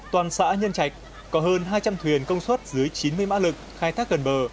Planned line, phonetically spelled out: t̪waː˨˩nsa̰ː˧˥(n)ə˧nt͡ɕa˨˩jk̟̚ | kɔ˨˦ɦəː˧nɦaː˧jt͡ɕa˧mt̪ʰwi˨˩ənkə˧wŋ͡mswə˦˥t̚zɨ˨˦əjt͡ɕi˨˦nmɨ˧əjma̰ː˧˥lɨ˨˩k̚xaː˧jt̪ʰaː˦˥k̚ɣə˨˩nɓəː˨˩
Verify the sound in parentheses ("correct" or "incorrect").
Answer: incorrect